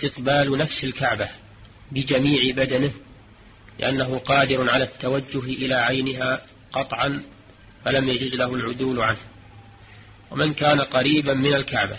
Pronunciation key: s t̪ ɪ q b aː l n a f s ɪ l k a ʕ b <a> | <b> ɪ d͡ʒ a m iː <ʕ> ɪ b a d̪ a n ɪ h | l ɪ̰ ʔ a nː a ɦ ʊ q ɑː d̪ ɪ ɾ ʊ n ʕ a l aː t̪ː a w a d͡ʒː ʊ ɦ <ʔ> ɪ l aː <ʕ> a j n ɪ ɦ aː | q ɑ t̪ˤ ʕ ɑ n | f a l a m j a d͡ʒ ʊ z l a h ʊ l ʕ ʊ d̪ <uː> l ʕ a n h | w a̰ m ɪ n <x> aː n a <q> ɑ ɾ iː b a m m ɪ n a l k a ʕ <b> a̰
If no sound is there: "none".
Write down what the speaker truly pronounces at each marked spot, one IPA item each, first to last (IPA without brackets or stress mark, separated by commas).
a, b, ʕ, ʔ, ʕ, uː, k, q, b